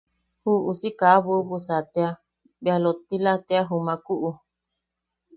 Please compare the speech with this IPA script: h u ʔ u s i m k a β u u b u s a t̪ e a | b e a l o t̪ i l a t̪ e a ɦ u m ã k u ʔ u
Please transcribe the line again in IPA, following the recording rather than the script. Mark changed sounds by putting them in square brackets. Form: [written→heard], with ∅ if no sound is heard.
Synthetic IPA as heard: h u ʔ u s i [m→∅] k a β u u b u s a t̪ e a | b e a l o t̪ i l a t̪ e a ɦ u m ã k u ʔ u